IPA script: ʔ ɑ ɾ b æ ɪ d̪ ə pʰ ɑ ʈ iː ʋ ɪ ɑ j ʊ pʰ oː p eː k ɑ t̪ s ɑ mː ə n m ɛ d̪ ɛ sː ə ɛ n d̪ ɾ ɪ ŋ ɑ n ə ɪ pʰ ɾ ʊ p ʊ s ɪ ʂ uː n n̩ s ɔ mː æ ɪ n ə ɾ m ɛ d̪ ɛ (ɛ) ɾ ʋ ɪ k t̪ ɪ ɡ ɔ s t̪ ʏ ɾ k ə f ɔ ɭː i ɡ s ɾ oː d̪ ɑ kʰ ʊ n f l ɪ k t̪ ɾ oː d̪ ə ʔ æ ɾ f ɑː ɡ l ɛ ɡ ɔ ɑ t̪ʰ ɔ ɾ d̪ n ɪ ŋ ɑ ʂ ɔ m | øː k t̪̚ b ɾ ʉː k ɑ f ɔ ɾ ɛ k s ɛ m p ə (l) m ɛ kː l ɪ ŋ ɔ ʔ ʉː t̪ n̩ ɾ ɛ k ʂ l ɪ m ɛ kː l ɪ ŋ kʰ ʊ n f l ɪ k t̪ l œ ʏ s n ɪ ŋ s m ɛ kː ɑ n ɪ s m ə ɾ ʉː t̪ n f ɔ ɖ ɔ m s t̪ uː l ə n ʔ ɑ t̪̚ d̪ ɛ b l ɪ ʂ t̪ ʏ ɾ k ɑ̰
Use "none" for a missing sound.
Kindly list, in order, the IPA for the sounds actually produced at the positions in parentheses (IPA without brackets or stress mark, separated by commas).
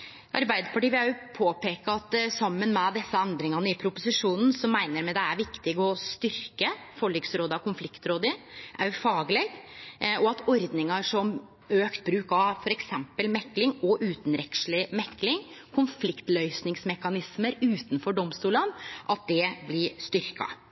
æ, l